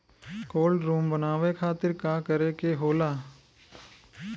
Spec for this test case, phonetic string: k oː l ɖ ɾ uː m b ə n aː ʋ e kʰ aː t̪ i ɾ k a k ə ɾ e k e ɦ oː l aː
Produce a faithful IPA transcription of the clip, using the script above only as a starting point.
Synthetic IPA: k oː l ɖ ɾ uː m b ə n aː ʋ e kʰ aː t̪ ɪ ɾ k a k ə ɾ e k e ɦ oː l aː

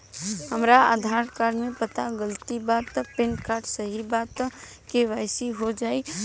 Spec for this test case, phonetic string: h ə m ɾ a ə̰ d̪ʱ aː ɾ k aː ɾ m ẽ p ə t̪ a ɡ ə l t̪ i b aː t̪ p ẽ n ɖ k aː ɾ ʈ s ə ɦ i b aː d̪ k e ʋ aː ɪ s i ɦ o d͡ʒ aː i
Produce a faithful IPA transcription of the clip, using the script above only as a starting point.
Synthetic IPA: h ə m ɾ a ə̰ d̪ʱ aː ɾ k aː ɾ m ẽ p ə t̪ a ɡ ə l t̪ i b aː t̪ p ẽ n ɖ k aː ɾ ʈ s ə ɦ i b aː t̪ k e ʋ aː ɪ s i ɦ o d͡ʒ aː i

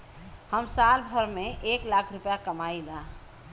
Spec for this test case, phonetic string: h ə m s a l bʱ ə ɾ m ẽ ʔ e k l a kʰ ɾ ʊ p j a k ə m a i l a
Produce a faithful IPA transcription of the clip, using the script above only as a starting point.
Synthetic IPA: h ə m s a l bʱ ə ɾ m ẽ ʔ e k l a kʰ ɾ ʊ p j a k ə m a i l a

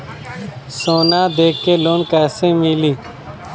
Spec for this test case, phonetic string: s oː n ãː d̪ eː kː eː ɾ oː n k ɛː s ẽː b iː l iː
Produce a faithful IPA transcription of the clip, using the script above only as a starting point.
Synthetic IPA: s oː n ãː d̪ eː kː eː l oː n k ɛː s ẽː m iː l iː

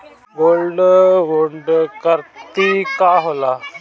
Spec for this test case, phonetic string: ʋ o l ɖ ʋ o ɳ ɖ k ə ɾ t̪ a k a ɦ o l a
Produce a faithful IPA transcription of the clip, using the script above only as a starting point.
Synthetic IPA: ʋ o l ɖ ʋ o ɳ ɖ k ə ɾ t̪ i k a ɦ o l a

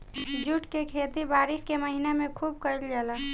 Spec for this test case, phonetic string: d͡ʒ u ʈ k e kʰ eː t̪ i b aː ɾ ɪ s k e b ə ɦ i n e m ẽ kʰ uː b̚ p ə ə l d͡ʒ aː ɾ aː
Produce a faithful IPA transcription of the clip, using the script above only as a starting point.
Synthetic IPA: d͡ʒ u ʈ k e kʰ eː t̪ i b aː ɾ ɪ s k e m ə ɦ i n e m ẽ kʰ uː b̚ k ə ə l d͡ʒ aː l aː

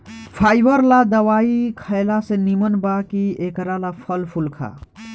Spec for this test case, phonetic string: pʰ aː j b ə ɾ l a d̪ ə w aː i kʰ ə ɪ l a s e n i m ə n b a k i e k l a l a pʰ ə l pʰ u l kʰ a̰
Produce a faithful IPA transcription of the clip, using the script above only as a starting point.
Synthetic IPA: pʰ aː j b ə ɾ l a d̪ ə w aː i kʰ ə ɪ l a s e n i m ə n b a k i e k ɾ a l a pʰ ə l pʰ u l kʰ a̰

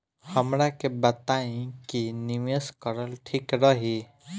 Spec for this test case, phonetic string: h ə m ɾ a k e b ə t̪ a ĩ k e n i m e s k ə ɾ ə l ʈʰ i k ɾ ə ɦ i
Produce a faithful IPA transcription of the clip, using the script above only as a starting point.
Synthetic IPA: h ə m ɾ a k e b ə t̪ a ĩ k i n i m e s k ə ɾ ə l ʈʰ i k ɾ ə ɦ i

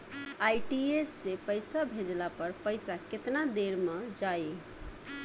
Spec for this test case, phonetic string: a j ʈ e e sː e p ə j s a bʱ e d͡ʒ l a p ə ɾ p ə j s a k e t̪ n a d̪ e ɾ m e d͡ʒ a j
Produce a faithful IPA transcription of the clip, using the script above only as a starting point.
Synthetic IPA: a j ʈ i e sː e p ə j s a bʱ e d͡ʒ l a p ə ɾ p ə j s a k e t̪ n a d̪ e ɾ m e d͡ʒ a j

